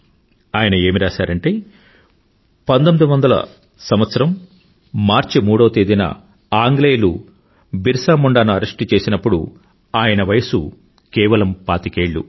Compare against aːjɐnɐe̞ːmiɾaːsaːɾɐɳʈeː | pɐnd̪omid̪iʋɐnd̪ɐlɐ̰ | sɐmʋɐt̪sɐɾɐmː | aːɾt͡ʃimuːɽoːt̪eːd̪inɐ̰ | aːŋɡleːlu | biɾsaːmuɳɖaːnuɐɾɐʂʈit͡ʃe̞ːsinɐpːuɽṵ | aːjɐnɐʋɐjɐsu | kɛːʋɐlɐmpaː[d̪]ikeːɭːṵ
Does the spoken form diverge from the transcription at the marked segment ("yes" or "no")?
yes